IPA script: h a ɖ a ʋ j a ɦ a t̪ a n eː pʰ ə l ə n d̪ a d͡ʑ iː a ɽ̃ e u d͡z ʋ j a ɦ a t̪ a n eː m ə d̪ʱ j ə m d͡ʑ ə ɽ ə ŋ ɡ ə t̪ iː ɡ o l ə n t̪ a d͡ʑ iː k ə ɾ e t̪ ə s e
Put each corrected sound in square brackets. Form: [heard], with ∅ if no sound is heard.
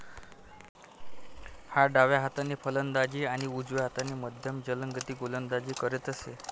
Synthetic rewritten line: h a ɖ a ʋ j a ɦ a t̪ a n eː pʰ ə l ə n d̪ a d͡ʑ iː a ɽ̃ [i] u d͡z ʋ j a ɦ a t̪ a n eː m ə d̪ʱ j ə m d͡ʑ ə [l] ə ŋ ɡ ə t̪ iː ɡ o l ə n [d̪] a d͡ʑ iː k ə ɾ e t̪ ə s e

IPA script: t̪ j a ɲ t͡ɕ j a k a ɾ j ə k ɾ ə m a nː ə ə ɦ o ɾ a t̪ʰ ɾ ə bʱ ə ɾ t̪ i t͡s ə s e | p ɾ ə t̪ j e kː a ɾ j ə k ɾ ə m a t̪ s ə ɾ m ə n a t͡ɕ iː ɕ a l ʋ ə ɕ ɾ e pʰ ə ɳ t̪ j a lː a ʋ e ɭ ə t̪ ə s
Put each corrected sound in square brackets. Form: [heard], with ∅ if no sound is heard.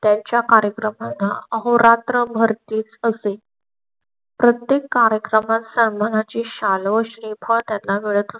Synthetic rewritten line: t̪ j a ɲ t͡ɕ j a k a ɾ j ə k ɾ ə m a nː [a] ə ɦ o ɾ a [t̪] ɾ ə bʱ ə ɾ t̪ [iː] t͡s ə s e | p ɾ ə t̪ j e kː a ɾ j ə k ɾ ə m a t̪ s ə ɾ m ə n a t͡ɕ iː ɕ a l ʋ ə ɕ ɾ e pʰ ə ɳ t̪ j a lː a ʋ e ɭ ə t̪ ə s

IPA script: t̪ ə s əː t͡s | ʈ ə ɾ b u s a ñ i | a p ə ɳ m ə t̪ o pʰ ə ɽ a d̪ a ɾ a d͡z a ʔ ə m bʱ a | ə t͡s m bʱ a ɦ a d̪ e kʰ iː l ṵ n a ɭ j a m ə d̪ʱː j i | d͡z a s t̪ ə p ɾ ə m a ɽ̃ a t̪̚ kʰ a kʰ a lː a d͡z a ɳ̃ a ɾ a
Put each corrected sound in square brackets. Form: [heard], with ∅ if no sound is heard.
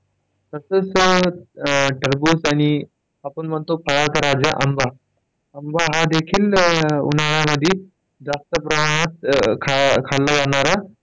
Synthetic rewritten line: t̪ ə s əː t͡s | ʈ ə ɾ b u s a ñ i | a p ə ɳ m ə t̪ o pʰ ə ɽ a [t̪] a ɾ a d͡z a ʔ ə m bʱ a | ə [∅] m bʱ a ɦ a d̪ e kʰ iː l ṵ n a ɭ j a m ə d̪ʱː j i | d͡z a s t̪ ə p ɾ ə m a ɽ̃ a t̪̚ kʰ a kʰ a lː a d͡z a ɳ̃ a ɾ a

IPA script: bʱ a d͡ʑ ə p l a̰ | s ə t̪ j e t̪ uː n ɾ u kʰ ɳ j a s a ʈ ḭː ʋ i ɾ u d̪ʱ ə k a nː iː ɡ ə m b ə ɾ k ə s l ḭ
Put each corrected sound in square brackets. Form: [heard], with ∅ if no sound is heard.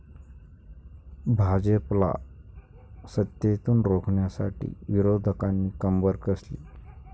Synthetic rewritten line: bʱ a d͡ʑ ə p l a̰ | s ə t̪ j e t̪ uː n ɾ [o] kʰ ɳ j a s a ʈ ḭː ʋ i ɾ [o] d̪ʱ ə k a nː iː [k] ə m b ə ɾ k ə s l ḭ

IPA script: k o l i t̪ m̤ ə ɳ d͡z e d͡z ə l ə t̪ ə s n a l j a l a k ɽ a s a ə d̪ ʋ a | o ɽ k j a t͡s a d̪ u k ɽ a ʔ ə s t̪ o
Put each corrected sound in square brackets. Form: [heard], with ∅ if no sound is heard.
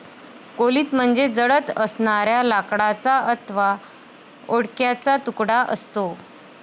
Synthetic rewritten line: k o l [iː] t̪ m̤ ə ɳ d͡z e d͡z ə [ɽ] ə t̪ ə s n a [ɾ] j a l a k ɽ a [t͡s] a ə [t̪] ʋ a | o ɽ k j a t͡s a [t̪] u k ɽ a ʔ ə s t̪ o

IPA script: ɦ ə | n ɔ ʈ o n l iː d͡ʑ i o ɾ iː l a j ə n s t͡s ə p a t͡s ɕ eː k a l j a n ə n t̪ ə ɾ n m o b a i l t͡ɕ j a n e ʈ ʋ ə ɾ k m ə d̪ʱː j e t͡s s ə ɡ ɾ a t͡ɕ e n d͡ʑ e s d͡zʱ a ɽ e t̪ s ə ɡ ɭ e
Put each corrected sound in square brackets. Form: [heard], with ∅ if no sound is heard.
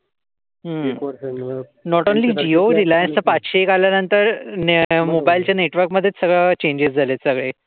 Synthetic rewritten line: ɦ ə | n ɔ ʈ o n l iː d͡ʑ i o ɾ [i] l a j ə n s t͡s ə p a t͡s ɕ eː k a l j a n ə n t̪ ə ɾ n m o b a i l t͡ɕ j a n e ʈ ʋ ə ɾ k m ə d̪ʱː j e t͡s s ə ɡ [ɭ] a t͡ɕ e [ɲ] d͡ʑ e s d͡zʱ a [l] e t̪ s ə ɡ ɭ e

